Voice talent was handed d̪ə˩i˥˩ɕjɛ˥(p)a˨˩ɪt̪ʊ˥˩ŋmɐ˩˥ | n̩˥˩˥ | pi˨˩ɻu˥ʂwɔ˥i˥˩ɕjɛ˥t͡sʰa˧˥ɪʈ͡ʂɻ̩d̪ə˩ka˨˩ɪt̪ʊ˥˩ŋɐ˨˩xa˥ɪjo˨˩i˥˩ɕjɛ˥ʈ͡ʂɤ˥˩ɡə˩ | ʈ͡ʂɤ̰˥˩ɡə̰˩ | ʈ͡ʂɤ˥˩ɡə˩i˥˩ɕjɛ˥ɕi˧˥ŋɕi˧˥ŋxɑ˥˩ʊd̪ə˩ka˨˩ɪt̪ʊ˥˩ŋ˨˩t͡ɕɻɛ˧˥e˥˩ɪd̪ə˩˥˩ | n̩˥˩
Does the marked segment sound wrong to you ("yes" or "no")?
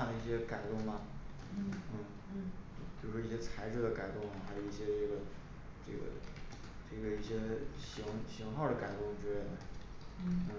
yes